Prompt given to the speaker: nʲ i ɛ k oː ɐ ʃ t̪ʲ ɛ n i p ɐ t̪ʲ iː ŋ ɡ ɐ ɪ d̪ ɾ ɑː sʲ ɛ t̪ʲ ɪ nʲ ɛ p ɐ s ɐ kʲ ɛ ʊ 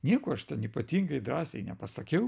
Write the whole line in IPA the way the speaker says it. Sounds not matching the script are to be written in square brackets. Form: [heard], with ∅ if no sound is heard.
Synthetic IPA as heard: nʲ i ɛ k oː ɐ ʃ t̪ʲ ɛ n i p ɐ t̪ʲ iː ŋ ɡ ɐ ɪ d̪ ɾ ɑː sʲ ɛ [∅] ɪ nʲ ɛ p ɐ s ɐ kʲ ɛ ʊ